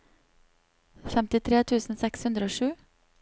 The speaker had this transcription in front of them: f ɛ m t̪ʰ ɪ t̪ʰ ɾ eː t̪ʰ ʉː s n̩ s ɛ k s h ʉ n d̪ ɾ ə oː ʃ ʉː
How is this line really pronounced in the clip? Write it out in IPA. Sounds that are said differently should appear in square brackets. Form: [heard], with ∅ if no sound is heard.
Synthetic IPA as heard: f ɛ m [t̪] ɪ t̪ʰ ɾ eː t̪ʰ ʉː s n̩ s ɛ k s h ʉ n d̪ ɾ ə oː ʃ ʉː

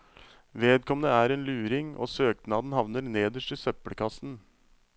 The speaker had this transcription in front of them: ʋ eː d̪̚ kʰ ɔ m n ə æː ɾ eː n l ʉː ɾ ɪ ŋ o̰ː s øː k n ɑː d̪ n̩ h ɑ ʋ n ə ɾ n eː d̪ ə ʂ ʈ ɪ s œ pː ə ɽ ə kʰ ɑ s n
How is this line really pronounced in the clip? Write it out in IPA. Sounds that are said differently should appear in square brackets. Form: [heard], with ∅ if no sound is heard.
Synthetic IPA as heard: ʋ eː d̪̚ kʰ ɔ m n ə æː ɾ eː n l ʉː ɾ ɪ ŋ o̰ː s øː k n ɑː d̪ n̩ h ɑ ʋ n ə ɾ n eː d̪ ə ʂ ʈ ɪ s œ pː ə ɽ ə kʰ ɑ s n

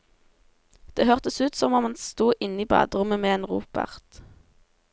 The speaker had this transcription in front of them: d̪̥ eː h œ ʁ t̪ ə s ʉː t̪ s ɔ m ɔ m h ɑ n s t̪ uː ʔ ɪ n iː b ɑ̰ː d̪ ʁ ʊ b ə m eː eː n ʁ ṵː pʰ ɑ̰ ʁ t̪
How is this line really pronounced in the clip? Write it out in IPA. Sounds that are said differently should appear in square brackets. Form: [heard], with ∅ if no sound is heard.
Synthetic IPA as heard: d̪̥ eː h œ ʁ t̪ ə s ʉː t̪ s ɔ m ɔ m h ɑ n s t̪ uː ʔ ɪ n iː b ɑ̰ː d̪ ʁ ʊ [m] ə m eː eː n ʁ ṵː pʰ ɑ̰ ʁ t̪

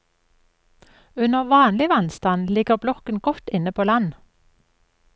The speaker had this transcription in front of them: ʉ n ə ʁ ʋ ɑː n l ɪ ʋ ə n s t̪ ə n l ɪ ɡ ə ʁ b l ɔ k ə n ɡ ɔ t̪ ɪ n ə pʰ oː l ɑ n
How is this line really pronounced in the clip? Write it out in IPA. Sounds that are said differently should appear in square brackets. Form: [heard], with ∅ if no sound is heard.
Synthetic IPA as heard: ʉ n ə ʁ ʋ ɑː n l ɪ ʋ [ɑ] n s t̪ [ɑ] n l ɪ ɡ ə ʁ b l ɔ k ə n ɡ ɔ t̪ ɪ n ə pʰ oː l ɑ n

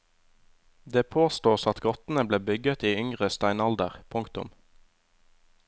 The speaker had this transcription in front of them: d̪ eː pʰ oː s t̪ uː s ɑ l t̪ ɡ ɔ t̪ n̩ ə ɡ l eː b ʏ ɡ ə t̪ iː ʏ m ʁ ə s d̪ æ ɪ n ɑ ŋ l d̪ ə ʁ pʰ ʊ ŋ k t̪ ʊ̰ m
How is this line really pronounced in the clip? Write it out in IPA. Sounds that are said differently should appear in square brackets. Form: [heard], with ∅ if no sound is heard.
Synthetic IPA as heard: d̪ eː pʰ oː s t̪ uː s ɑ [∅] t̪ ɡ ɔ t̪ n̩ ə [b] l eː b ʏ ɡ ə t̪ iː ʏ [ŋ] ʁ ə s [t̪] æ ɪ n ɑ [∅] l d̪ ə ʁ pʰ ʊ ŋ k t̪ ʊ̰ m

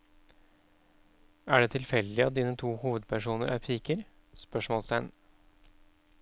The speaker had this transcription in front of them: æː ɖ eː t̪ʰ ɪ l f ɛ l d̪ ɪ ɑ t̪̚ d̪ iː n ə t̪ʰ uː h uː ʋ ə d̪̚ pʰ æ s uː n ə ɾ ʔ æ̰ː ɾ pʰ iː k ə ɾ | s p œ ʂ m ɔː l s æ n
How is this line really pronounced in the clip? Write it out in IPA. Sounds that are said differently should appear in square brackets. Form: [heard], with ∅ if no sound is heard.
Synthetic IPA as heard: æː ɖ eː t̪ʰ ɪ l f ɛ l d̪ ɪ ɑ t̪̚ d̪ iː n ə t̪ʰ uː h uː ʋ ə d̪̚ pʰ æ [ʂ] uː n ə ɾ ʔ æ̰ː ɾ pʰ iː k ə ɾ | s p œ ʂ m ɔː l s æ n

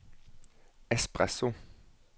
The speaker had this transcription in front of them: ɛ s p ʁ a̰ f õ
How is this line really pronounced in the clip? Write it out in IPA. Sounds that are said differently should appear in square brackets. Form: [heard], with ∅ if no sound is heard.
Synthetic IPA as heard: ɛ s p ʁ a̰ [s] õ

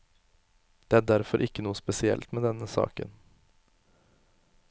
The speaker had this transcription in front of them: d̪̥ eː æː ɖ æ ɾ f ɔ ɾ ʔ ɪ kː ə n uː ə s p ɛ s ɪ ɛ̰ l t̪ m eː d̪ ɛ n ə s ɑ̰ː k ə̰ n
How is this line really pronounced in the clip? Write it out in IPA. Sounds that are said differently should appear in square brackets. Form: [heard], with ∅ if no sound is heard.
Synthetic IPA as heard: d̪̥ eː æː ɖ æ ɾ f ɔ ɾ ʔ ɪ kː ə n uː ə s p ɛ s ɪ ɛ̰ l t̪ m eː d̪ ɛ n ə s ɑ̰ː k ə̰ n

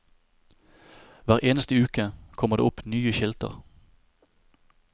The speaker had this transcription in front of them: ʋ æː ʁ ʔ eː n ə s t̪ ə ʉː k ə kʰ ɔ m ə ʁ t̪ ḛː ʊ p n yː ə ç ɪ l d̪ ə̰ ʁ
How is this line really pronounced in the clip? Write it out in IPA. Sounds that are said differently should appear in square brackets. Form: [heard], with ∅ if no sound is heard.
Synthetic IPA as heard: ʋ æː ʁ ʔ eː n ə s t̪ ə ʉː k ə kʰ ɔ m ə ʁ [d̪] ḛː ʊ p n yː ə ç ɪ l [t̪] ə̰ ʁ

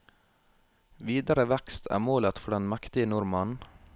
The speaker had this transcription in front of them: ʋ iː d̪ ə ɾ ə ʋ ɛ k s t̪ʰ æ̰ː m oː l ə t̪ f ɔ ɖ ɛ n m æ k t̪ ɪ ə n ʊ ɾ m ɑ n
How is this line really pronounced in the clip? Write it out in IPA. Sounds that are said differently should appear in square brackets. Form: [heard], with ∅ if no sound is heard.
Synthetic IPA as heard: ʋ iː d̪ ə ɾ ə ʋ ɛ k s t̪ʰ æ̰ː m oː l ə t̪ f ɔ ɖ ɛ n m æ k t̪ ɪ ə n ʊ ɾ m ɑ n

